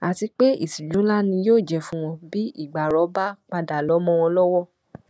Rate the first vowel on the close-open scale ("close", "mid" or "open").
open